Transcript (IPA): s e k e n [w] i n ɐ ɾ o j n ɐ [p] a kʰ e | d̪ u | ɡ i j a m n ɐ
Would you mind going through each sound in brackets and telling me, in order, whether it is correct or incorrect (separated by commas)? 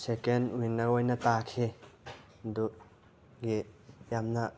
correct, incorrect